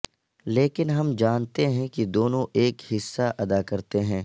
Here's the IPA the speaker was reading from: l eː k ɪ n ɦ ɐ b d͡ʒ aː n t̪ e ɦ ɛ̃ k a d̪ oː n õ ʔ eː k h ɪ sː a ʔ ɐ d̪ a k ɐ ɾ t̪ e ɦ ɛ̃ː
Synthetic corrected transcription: l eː k ɪ n ɦ ɐ m d͡ʒ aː n t̪ e ɦ ɛ̃ k i d̪ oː n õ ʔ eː k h ɪ sː a ʔ ɐ d̪ a k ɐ ɾ t̪ e ɦ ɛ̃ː